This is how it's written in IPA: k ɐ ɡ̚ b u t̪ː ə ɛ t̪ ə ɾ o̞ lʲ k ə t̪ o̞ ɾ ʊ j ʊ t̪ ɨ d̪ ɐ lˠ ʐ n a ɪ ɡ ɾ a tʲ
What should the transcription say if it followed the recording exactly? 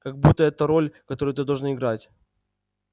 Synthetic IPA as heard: k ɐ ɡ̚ b u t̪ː ə ɛ t̪ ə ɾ o̞ lʲ k ɐ t̪ o̞ ɾ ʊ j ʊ t̪ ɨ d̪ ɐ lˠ ʐ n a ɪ ɡ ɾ a tʲ